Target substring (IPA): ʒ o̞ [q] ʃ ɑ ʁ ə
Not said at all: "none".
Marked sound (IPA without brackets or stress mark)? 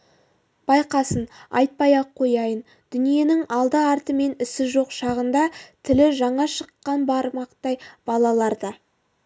q